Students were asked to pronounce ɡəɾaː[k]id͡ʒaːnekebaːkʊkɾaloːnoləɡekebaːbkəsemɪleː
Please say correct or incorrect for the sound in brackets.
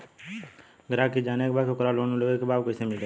correct